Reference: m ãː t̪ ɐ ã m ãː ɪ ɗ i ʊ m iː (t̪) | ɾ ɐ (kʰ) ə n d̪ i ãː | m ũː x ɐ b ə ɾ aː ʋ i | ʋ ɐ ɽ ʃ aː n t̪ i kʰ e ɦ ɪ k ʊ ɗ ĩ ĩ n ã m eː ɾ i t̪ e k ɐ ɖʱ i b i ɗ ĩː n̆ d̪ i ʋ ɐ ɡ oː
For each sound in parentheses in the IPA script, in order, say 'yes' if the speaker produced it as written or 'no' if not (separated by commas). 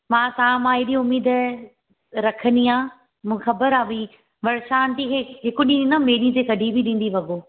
no, yes